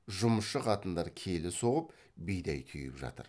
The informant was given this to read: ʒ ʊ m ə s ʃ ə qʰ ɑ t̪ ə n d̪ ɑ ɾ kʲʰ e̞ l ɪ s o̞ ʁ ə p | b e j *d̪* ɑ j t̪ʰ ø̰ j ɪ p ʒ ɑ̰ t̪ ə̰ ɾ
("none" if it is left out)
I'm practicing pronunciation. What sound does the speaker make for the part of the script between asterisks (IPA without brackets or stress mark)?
d̪